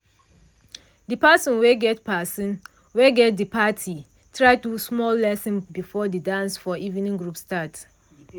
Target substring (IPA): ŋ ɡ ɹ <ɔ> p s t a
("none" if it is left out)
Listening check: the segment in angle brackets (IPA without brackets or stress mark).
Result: u